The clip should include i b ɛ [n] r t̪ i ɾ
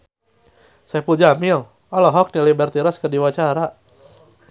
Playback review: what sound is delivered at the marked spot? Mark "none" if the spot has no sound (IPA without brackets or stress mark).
none